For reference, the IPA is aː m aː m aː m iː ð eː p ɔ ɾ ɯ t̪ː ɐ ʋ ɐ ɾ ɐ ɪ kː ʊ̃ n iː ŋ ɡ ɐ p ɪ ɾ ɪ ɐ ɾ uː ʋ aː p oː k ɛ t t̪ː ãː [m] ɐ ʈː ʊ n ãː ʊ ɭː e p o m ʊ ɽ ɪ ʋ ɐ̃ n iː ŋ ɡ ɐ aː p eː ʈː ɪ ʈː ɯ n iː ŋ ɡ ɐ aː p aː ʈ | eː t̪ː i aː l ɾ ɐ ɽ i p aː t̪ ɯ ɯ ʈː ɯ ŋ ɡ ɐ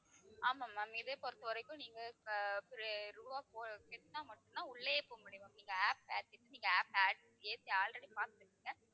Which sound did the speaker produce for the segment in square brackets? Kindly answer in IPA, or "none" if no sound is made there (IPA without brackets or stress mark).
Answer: m